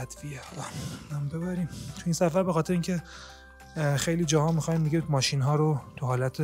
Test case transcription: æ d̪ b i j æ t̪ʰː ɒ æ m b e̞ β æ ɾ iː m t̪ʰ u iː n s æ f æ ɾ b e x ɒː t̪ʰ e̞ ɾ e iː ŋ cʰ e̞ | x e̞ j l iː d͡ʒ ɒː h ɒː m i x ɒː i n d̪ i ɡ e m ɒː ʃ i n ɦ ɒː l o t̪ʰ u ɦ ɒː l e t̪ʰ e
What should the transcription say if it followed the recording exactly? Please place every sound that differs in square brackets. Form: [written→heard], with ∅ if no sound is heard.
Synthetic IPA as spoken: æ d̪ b i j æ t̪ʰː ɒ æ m b e̞ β æ ɾ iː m t̪ʰ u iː n s æ f æ ɾ b e x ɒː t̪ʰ e̞ ɾ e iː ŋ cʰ e̞ | x e̞ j l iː d͡ʒ ɒː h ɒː m i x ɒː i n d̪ i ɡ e m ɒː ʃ i n ɦ ɒː [l→ɾ] o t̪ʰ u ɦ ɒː l [e→æ] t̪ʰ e